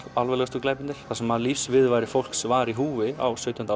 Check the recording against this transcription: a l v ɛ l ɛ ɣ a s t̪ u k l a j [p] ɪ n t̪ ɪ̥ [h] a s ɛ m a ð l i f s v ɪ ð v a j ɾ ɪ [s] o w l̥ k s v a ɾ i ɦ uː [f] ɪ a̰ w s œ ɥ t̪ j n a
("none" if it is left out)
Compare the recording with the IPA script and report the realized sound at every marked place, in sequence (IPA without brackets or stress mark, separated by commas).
p, θ, f, v